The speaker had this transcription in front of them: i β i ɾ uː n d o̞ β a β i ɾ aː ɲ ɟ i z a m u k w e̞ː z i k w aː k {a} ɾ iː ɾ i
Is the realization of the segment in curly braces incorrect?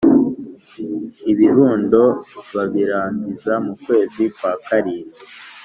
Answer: no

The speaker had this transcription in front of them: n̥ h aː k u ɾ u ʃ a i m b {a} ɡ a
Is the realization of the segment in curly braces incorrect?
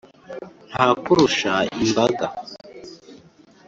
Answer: no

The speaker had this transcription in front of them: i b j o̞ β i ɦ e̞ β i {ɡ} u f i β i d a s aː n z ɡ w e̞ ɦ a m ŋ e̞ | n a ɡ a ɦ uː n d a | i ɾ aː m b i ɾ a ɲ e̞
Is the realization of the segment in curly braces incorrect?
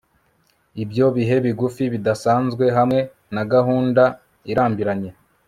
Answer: no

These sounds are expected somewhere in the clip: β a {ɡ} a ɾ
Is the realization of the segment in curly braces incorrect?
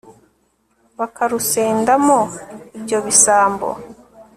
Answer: yes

